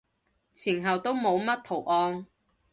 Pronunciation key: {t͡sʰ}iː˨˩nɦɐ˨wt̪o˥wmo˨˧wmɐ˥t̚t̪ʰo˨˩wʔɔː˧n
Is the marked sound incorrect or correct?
correct